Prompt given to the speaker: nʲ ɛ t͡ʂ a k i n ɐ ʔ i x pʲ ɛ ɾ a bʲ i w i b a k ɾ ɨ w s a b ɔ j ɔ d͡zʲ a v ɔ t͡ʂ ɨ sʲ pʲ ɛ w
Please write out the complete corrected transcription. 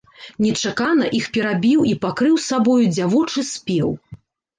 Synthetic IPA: nʲ ɛ t͡ʂ a k a n ɐ ʔ i x pʲ ɛ ɾ a bʲ i w i p a k ɾ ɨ w s a b ɔ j u d͡zʲ a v ɔ t͡ʂ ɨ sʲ pʲ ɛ w